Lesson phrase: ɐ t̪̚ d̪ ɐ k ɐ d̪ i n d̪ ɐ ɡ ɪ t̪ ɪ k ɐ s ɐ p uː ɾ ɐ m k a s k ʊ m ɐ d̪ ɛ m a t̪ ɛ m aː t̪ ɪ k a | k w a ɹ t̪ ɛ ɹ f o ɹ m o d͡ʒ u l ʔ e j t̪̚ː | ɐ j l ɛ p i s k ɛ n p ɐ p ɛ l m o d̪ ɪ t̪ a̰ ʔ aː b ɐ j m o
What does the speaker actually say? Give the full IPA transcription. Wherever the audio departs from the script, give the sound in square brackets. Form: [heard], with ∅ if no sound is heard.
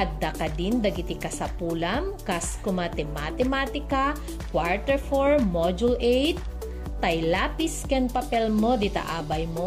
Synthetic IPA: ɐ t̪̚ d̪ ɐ k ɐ d̪ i n d̪ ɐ ɡ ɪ t̪ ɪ k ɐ s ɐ p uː [l] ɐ m k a s k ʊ m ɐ [t̪] ɛ m a t̪ ɛ m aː t̪ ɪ k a | k w a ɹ t̪ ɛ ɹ f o ɹ m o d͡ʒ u l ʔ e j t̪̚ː | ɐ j l [a] p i s k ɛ n p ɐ p ɛ l m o d̪ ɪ t̪ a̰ ʔ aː b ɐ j m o